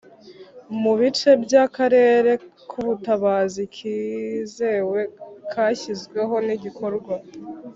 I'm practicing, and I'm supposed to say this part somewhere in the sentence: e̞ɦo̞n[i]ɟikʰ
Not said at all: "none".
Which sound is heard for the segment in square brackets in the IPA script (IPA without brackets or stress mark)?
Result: i